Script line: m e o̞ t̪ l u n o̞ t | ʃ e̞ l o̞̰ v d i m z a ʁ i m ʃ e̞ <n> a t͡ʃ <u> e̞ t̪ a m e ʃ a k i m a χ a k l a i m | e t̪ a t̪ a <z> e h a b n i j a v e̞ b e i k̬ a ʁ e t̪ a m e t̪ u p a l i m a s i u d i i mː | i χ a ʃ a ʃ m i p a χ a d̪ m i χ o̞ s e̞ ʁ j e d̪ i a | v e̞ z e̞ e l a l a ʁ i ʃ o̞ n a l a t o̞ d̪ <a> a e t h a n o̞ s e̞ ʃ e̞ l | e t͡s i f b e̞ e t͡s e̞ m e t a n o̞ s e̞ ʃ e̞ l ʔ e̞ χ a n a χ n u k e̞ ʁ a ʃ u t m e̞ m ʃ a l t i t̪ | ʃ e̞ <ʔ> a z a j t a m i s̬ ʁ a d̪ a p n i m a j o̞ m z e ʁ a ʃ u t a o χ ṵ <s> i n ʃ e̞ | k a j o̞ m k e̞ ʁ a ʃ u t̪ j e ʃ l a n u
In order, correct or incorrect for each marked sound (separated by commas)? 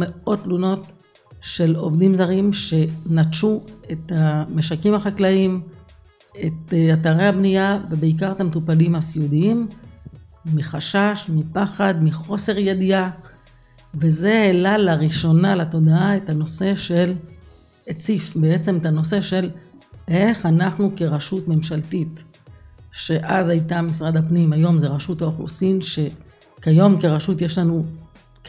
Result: correct, correct, incorrect, correct, correct, correct